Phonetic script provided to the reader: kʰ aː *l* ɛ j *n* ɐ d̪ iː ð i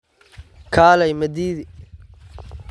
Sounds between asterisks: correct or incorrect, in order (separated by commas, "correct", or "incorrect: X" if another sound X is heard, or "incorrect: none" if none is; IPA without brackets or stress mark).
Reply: correct, incorrect: m